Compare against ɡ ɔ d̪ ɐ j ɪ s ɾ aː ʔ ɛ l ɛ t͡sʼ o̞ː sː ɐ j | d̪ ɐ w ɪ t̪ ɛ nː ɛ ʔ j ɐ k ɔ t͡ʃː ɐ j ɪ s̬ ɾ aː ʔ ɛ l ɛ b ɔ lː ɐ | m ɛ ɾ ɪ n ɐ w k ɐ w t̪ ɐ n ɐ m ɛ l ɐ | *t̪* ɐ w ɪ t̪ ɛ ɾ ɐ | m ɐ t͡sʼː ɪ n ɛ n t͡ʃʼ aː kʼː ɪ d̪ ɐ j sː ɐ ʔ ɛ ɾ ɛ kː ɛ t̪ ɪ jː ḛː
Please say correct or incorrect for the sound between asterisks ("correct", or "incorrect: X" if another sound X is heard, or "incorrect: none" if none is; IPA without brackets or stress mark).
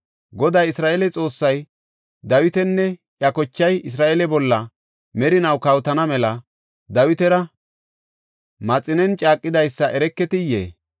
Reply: incorrect: d̪